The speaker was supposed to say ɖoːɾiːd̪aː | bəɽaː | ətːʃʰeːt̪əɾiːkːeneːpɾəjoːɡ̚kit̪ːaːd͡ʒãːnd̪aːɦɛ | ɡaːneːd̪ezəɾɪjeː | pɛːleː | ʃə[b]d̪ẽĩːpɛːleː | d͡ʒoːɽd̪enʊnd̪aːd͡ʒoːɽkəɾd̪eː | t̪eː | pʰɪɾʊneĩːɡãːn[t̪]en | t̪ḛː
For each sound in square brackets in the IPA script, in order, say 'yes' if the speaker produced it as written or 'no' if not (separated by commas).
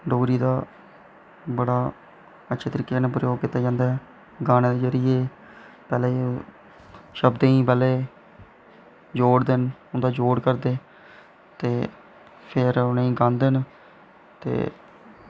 yes, no